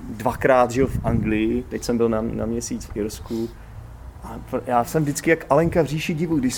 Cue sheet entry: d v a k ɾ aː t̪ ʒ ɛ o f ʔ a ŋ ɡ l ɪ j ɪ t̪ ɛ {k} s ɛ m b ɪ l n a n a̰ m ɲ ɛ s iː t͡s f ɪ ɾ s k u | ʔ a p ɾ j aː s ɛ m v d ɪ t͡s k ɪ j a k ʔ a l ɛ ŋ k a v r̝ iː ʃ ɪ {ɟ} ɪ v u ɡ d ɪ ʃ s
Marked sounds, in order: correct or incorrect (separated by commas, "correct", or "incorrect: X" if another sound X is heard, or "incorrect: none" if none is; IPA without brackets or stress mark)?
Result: incorrect: c, correct